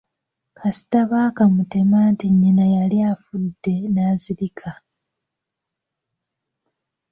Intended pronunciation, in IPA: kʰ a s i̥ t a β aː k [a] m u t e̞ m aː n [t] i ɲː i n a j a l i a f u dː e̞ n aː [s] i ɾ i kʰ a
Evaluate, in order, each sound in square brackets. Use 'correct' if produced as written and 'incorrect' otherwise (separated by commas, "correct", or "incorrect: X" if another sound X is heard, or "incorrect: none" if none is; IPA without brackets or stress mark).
correct, correct, incorrect: z